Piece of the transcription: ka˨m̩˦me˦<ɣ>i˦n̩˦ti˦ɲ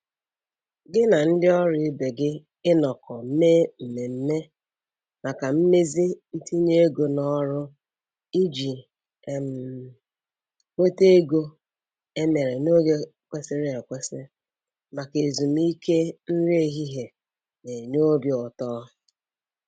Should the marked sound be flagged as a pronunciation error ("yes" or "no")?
yes